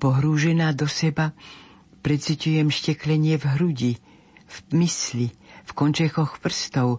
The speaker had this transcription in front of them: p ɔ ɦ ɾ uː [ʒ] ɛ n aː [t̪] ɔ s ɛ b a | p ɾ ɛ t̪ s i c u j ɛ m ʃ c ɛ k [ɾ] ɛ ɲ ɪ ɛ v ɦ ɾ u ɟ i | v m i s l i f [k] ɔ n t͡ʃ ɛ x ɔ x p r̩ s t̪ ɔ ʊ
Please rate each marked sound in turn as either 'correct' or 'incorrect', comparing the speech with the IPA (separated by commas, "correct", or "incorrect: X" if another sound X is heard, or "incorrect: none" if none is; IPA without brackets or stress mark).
correct, incorrect: d̪, incorrect: l, correct